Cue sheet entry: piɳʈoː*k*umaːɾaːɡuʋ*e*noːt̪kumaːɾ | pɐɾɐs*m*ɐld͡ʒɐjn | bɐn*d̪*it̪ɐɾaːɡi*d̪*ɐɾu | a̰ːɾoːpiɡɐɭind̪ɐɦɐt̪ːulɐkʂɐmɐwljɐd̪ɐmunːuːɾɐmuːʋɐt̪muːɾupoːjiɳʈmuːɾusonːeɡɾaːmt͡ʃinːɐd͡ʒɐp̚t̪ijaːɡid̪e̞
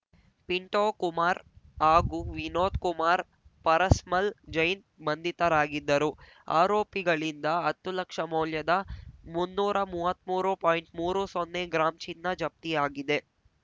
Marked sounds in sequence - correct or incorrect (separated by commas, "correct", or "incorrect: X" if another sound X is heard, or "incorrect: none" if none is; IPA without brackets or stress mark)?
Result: correct, incorrect: i, correct, correct, incorrect: d̪ː